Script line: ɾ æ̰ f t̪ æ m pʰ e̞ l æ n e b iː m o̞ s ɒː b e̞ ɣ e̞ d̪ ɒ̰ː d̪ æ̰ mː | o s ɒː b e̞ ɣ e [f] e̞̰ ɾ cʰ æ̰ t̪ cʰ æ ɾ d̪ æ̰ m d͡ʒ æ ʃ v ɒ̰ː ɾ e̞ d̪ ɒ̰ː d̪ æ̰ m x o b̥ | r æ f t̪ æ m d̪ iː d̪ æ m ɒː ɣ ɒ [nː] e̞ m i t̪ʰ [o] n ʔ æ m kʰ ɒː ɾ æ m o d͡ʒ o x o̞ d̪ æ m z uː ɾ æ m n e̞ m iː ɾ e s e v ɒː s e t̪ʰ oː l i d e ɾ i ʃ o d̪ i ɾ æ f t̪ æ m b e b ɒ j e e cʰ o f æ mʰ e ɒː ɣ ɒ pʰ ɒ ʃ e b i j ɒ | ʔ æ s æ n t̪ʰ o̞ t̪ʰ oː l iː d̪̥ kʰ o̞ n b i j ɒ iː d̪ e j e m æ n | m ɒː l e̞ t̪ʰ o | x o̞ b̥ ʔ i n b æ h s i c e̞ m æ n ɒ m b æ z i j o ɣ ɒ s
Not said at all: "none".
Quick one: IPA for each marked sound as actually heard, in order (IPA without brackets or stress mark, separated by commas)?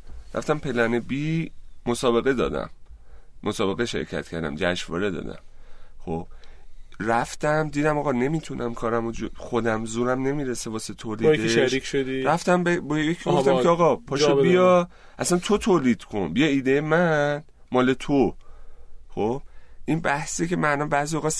ʃ, n, u